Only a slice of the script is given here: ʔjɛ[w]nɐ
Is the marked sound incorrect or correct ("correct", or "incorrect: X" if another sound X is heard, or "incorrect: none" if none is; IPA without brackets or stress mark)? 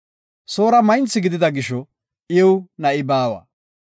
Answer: correct